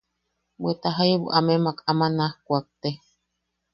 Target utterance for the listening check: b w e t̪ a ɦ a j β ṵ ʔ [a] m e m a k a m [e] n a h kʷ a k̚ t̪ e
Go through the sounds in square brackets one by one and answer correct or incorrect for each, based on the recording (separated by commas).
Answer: correct, incorrect